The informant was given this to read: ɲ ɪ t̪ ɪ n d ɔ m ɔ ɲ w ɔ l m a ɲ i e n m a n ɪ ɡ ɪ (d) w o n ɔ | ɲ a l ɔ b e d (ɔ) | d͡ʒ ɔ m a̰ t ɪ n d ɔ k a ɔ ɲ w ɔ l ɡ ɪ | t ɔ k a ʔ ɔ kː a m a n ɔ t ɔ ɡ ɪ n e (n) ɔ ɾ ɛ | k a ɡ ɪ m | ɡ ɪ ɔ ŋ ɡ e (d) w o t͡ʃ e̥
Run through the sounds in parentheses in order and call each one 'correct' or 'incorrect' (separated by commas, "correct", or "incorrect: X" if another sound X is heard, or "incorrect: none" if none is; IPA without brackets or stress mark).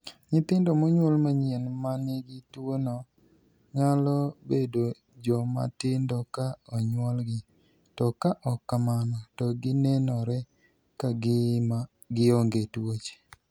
incorrect: t, incorrect: o, correct, incorrect: t